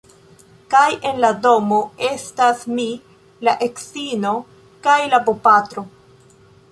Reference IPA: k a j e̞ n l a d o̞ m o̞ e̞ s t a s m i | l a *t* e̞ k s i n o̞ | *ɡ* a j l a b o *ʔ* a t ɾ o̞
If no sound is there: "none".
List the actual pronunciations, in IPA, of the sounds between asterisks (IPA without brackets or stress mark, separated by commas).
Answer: ʔ, k, p